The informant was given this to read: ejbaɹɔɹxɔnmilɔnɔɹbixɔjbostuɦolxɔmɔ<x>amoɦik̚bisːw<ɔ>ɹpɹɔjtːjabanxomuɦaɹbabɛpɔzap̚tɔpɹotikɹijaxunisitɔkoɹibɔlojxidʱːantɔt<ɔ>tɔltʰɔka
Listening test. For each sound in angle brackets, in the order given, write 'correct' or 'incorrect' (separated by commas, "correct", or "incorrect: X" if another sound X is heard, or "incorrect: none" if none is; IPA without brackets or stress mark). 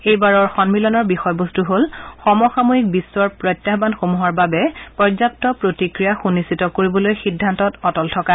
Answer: correct, correct, correct